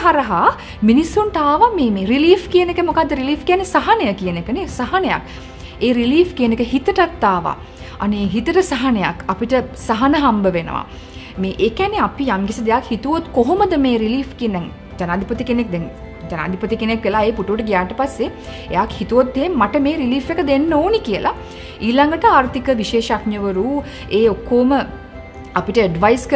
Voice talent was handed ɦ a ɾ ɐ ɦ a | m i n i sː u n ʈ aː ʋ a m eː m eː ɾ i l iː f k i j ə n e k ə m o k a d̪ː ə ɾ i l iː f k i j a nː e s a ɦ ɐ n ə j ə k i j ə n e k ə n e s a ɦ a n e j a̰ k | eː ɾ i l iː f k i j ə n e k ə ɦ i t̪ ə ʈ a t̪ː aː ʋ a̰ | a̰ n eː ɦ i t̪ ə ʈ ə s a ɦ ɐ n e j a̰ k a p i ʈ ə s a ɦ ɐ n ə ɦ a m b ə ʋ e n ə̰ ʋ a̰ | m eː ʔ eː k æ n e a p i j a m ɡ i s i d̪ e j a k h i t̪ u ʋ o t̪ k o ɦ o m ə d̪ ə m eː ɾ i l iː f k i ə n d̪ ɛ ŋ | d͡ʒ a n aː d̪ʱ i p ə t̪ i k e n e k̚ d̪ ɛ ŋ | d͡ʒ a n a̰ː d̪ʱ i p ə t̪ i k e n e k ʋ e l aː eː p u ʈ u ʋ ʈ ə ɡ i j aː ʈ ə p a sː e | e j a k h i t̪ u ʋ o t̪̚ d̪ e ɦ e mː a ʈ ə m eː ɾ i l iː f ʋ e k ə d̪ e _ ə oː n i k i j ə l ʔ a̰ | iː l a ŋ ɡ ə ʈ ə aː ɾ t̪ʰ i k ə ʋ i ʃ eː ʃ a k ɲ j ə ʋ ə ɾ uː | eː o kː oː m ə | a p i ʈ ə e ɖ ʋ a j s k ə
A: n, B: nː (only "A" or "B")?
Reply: B